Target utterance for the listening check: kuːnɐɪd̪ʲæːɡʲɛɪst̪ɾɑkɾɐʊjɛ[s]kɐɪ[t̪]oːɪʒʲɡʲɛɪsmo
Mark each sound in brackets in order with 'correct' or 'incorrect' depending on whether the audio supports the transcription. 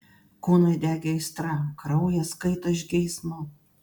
correct, correct

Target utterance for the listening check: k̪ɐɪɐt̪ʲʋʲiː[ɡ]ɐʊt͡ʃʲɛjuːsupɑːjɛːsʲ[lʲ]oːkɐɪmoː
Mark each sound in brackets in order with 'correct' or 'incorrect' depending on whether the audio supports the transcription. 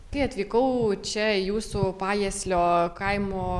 incorrect: k, correct

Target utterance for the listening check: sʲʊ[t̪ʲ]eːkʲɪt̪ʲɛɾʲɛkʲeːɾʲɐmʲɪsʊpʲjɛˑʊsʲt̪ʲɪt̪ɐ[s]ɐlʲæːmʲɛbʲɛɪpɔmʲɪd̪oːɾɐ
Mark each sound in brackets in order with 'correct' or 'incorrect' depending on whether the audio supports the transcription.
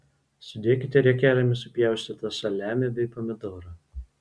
incorrect: d̪ʲ, correct

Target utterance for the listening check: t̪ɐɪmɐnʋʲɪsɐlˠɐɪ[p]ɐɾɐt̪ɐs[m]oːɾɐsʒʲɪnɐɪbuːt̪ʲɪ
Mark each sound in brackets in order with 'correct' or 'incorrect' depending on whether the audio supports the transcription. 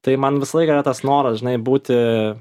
incorrect: k, incorrect: n

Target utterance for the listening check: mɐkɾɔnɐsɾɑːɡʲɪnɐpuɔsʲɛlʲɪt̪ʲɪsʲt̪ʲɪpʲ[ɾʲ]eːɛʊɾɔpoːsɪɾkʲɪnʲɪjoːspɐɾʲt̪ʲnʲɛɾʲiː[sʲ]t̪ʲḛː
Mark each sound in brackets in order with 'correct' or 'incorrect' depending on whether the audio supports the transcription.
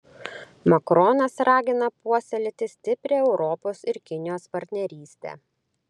correct, correct

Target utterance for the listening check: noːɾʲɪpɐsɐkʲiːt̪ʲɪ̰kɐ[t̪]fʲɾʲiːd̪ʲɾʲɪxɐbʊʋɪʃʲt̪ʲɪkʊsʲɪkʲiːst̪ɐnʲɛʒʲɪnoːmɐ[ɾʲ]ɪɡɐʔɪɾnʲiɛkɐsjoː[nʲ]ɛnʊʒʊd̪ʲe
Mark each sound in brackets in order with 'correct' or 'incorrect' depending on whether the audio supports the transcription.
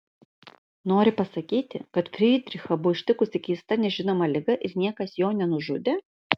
correct, incorrect: lʲ, correct

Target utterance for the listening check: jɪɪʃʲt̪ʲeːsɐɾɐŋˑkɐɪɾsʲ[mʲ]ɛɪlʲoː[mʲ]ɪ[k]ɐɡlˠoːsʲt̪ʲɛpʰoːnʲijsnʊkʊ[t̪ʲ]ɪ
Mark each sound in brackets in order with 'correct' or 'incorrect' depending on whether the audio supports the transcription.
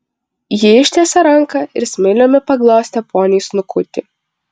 correct, correct, incorrect: p, correct

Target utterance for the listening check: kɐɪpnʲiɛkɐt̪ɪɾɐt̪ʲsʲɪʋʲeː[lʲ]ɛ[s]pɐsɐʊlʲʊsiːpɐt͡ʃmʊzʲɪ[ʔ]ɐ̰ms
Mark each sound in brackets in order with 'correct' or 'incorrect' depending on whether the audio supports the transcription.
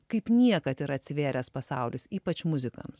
incorrect: ɾʲ, correct, incorrect: k

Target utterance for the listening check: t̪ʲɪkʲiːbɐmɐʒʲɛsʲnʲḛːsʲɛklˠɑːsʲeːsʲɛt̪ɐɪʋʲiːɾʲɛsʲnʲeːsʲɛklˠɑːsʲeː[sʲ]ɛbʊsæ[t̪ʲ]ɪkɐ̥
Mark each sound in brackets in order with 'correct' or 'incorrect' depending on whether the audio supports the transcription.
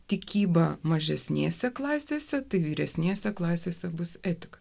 correct, correct

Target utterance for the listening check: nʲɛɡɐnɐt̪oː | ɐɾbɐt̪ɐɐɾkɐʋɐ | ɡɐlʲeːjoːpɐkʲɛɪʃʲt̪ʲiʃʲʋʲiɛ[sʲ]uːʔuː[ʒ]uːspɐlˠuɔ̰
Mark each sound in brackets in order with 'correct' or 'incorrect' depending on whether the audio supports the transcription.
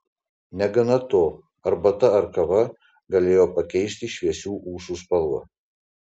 correct, incorrect: ʃ

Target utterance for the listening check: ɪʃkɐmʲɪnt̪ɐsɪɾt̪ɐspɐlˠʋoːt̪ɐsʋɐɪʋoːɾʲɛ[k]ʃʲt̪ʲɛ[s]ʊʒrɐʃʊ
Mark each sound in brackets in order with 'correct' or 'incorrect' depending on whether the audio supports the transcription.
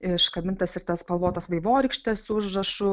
correct, correct

